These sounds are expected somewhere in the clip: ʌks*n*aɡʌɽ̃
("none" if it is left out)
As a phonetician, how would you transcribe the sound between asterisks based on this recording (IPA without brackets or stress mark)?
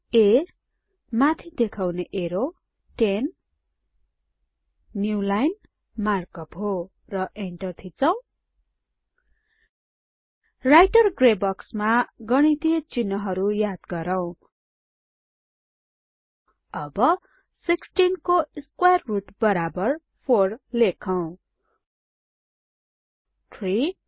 m